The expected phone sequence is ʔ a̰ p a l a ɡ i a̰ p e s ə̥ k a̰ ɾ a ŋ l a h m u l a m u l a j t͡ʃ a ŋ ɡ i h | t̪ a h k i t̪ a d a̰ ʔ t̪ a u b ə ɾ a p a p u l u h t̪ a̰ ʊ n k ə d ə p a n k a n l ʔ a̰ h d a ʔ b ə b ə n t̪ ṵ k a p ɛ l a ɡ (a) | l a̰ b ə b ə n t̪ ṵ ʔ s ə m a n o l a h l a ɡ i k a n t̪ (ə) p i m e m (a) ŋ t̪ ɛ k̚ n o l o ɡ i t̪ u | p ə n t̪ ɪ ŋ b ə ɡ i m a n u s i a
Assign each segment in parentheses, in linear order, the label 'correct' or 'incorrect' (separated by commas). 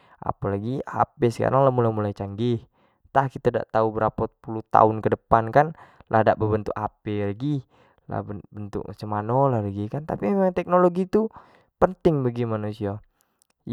incorrect, incorrect, correct